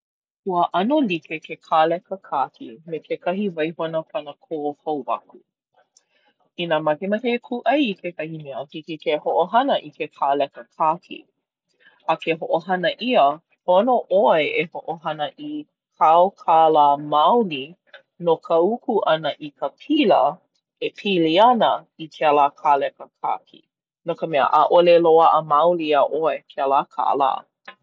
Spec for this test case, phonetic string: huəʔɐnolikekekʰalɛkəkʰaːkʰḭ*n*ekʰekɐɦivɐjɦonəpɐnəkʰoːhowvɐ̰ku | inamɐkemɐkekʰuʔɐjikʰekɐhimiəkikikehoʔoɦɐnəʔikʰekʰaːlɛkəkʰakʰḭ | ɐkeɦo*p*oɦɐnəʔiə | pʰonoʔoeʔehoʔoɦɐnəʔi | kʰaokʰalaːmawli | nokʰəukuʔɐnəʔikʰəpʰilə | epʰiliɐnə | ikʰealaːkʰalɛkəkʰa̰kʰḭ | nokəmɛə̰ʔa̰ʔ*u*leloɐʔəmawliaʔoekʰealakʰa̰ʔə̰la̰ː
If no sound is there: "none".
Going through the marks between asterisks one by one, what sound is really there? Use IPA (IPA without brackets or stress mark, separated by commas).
m, ʔ, o